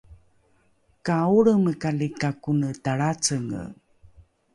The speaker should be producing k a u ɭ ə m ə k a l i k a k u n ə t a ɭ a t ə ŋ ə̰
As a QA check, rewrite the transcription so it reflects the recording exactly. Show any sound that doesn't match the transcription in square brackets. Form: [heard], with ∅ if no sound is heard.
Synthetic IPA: k a u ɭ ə m ə k a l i k a k u n ə t a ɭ a [t͡s] ə ŋ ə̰